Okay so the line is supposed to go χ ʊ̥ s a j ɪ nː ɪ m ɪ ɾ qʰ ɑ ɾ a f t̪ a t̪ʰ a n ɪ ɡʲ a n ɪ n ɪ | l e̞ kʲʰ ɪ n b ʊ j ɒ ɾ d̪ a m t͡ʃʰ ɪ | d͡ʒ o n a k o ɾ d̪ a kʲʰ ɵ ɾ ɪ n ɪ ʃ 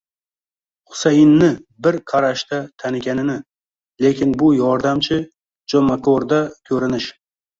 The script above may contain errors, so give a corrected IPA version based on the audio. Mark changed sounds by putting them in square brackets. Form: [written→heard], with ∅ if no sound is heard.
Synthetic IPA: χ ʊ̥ s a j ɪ nː ɪ [m→b] ɪ ɾ qʰ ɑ ɾ a [f→ʃ] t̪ a t̪ʰ a n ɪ ɡʲ a n ɪ n ɪ | l e̞ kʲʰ ɪ n b ʊ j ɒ ɾ d̪ a m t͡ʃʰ ɪ | d͡ʒ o [n→m] a k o ɾ d̪ a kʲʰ ɵ ɾ ɪ n ɪ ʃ